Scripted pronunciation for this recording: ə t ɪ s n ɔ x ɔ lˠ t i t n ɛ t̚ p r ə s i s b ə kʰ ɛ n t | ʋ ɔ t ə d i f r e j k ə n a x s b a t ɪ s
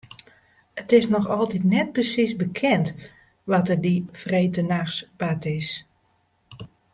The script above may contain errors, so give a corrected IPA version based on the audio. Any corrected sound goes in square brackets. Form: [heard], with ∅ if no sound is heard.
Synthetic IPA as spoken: ə t ɪ s n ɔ x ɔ lˠ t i t n ɛ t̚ p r ə s i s b ə kʰ ɛ n t | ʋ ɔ t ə d i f r e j [t] ə n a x s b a t ɪ s